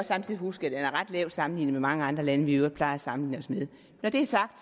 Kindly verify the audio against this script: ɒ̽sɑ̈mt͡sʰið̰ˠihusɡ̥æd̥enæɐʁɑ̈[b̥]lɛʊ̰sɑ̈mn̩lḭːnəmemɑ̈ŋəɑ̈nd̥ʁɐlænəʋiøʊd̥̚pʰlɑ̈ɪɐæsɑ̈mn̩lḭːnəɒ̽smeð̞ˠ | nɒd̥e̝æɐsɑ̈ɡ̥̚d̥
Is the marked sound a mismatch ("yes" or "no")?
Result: yes